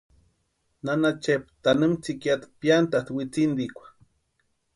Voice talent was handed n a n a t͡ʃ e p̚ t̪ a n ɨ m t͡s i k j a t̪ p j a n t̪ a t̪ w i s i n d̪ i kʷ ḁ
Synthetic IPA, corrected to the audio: n a n a t͡ʃ e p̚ t̪ a n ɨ m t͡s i k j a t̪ p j a n t̪ a t̪ w i t͡s i n d̪ i kʷ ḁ

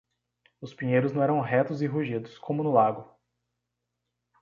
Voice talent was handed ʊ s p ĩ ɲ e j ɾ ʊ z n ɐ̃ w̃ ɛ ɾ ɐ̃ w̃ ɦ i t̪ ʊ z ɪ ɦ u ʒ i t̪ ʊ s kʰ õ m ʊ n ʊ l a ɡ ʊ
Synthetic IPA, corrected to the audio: ʊ s p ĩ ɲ e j ɾ ʊ z n ɐ̃ w̃ ɛ ɾ ɐ̃ w̃ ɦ ɛ t̪ ʊ z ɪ ɦ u ʒ i d̪ ʊ s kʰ õ m ʊ n ʊ l a ɡ ʊ

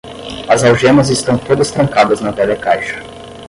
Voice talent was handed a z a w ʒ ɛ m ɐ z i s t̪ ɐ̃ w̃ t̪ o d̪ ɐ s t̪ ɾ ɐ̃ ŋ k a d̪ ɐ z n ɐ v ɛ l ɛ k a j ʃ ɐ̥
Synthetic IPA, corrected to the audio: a z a w ʒ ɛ m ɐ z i s t̪ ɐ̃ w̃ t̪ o d̪ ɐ s t̪ ɾ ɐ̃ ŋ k a d̪ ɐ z n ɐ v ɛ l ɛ k a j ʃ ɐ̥

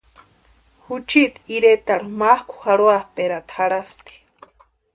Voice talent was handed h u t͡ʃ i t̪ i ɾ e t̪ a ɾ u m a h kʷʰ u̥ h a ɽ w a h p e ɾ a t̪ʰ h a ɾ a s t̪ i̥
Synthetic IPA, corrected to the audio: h u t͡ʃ i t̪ i ɾ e t̪ a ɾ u m a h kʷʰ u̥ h a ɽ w a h p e ɾ a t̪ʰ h a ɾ a s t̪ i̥

